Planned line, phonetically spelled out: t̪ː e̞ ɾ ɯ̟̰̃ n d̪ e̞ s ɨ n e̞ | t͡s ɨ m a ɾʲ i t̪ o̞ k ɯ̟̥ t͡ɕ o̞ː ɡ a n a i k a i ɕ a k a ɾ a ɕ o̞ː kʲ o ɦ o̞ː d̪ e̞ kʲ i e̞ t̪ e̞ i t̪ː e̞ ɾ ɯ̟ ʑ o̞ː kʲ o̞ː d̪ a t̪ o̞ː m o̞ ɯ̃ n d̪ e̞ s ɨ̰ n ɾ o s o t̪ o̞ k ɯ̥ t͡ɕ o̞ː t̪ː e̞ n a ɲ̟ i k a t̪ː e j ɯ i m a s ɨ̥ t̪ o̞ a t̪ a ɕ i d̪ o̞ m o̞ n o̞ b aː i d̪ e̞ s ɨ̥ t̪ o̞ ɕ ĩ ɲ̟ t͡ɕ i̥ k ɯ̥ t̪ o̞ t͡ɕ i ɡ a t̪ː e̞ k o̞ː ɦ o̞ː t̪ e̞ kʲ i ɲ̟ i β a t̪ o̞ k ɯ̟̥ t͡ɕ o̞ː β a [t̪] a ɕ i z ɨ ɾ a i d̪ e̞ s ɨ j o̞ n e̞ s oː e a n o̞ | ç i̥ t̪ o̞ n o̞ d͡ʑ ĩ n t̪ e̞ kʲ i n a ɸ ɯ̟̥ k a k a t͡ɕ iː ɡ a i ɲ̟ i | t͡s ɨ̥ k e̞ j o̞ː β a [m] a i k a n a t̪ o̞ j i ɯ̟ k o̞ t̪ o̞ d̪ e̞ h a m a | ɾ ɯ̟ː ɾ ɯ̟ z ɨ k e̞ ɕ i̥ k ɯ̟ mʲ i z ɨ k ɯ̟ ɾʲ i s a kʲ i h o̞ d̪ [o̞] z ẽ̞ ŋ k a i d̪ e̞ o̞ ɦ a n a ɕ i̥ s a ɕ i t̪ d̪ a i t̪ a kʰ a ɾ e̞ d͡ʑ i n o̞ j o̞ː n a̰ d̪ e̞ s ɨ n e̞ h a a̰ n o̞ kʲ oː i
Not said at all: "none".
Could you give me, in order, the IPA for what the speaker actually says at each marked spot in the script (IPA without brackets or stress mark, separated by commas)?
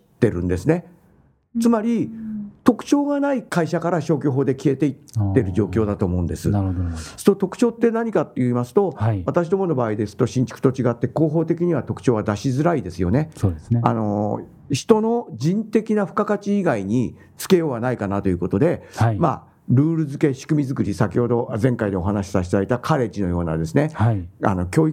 d̪, n, o̞